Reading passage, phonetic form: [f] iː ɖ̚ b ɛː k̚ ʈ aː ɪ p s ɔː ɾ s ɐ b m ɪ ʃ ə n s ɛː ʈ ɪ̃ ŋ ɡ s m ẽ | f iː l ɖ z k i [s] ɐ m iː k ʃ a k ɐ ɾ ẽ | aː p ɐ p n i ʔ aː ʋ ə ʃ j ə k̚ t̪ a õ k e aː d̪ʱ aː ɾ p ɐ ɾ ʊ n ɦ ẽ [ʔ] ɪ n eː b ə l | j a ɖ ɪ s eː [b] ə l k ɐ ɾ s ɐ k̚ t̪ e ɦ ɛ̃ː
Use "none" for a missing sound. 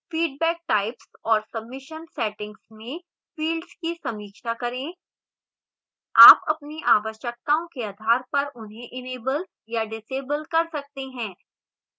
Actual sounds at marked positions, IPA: f, s, ʔ, b

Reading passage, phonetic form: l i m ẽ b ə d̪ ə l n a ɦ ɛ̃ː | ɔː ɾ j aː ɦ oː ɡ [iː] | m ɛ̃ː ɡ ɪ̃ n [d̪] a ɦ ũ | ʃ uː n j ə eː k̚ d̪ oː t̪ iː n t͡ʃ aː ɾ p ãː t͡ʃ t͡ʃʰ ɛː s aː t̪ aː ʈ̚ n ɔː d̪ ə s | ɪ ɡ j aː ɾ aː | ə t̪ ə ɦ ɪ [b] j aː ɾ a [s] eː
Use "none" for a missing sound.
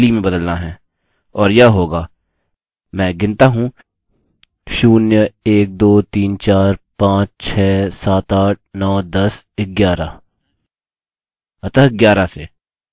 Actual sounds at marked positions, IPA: aː, t̪, ɡ, s

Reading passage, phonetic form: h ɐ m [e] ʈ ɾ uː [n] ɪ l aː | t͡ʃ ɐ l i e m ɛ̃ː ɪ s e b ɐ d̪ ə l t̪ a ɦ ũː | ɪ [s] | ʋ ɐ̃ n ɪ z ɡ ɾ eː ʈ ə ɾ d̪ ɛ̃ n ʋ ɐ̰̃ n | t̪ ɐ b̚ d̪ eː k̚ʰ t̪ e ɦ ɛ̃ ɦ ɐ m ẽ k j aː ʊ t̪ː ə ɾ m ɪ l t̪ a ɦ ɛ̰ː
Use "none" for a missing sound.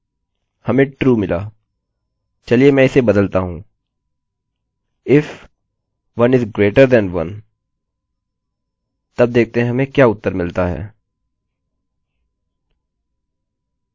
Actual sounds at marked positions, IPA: ẽ, m, f

